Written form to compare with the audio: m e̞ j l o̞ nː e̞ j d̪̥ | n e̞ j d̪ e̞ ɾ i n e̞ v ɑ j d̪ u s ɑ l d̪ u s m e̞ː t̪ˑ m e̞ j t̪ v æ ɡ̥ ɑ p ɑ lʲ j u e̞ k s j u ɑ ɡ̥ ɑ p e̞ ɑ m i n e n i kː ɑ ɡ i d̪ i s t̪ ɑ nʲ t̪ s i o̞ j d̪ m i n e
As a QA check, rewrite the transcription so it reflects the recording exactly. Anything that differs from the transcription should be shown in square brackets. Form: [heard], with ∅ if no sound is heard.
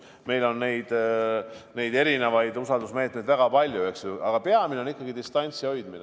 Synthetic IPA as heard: m e̞ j l o̞ nː e̞ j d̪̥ | n e̞ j d̪ e̞ ɾ i n e̞ v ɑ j d̪ u s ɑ l d̪ u s m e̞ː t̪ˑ m e̞ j [d̪] v æ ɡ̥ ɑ p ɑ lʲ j u e̞ k s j u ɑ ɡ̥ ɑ p e̞ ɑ m i n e n i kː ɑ ɡ i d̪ i s t̪ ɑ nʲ t̪ s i o̞ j d̪ m i n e